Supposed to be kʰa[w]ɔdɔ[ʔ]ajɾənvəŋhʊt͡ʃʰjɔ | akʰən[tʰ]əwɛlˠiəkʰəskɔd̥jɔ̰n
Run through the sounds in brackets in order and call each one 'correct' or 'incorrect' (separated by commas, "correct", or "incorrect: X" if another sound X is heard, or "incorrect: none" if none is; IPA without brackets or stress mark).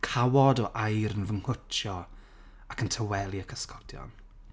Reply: correct, correct, correct